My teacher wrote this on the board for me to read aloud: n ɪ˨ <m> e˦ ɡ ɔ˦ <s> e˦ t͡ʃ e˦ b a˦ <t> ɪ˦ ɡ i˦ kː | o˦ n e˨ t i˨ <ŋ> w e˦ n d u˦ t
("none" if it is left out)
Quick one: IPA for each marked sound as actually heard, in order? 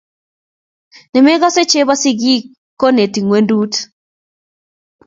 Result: m, s, s, ŋ

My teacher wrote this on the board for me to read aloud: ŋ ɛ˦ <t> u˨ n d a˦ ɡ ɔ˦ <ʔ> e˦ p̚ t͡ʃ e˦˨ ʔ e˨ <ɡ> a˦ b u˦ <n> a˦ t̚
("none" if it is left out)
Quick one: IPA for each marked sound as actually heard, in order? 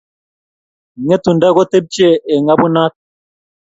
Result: t, t, ŋ, n

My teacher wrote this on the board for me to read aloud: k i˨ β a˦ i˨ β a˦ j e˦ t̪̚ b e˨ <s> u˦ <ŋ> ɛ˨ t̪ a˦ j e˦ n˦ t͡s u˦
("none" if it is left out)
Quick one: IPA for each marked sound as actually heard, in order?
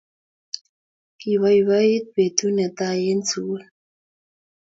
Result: t, n

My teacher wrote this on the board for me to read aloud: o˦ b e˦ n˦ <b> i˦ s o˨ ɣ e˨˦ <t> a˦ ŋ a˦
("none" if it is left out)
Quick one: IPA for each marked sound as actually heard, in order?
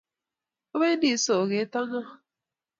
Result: d, t

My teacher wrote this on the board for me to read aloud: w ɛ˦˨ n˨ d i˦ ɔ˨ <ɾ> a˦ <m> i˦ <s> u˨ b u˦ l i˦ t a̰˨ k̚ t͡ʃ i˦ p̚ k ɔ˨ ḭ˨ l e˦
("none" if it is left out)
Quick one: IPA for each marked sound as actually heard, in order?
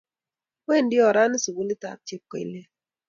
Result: ɾ, n, s

